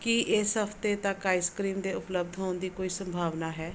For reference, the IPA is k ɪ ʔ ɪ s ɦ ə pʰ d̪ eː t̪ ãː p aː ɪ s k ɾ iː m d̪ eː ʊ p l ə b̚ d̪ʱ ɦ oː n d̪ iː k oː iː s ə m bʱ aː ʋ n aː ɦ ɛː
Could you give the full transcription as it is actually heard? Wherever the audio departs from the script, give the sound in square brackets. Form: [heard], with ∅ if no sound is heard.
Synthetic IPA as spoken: k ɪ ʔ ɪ s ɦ ə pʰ [t̪] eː t̪ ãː [k] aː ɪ s k ɾ iː m d̪ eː ʊ p l ə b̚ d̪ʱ ɦ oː n d̪ iː k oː iː s ə m bʱ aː ʋ n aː ɦ ɛː